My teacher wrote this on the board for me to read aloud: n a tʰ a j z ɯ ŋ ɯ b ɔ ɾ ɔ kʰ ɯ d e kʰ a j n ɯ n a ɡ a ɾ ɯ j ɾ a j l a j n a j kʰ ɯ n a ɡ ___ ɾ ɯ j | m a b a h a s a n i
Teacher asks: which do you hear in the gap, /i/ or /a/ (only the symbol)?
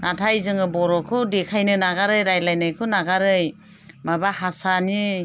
a